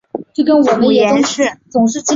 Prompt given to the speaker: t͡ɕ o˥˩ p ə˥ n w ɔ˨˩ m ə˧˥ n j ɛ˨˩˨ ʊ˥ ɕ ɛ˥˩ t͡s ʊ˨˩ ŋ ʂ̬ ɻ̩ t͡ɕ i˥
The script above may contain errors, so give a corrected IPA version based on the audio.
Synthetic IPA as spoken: t͡ɕ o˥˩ k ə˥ n w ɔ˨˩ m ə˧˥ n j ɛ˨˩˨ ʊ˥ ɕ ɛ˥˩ t͡s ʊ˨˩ ŋ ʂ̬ ɻ̩ t͡ɕ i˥